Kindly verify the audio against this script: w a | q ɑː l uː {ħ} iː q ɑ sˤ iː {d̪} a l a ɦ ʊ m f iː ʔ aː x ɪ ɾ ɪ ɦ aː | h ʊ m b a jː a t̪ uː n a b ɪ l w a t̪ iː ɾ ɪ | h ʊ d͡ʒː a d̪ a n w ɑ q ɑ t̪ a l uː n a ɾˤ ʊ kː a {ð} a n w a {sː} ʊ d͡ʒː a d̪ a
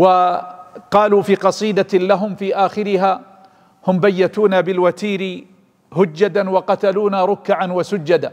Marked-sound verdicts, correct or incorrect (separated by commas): incorrect, correct, incorrect, incorrect